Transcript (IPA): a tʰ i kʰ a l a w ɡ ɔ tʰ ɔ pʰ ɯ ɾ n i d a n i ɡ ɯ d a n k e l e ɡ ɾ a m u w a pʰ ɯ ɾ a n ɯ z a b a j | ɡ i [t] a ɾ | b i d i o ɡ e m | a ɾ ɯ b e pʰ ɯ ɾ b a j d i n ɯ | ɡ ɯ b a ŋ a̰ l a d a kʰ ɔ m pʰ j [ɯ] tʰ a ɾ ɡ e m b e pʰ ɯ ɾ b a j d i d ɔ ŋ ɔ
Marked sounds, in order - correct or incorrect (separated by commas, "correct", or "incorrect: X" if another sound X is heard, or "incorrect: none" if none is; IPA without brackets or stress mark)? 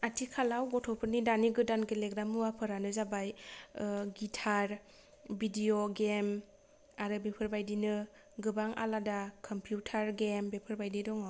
incorrect: tʰ, incorrect: u